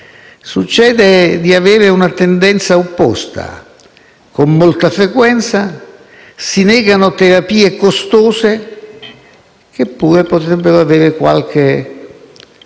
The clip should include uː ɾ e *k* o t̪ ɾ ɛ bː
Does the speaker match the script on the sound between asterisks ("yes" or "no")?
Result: no